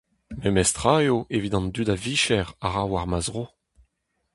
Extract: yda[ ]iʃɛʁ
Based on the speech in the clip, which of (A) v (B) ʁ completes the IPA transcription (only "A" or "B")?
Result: A